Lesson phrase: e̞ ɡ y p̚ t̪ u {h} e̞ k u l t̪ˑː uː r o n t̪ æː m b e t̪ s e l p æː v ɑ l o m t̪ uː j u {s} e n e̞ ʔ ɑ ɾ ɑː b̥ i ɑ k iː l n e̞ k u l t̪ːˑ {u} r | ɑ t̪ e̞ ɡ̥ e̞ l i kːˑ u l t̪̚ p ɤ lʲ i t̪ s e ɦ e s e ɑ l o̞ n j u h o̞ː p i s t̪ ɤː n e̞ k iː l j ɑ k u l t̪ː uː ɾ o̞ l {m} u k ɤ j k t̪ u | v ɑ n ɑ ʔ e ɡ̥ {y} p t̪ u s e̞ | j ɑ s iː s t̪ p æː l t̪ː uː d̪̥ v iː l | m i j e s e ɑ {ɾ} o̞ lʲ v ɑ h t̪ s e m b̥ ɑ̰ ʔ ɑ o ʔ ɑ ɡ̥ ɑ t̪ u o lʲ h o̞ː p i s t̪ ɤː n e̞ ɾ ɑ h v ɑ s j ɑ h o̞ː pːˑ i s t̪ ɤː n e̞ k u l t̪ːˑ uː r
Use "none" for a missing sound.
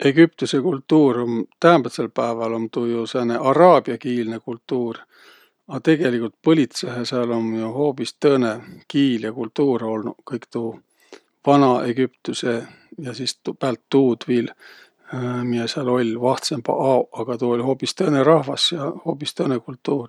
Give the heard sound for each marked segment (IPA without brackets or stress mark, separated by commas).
s, s, uː, n, y, l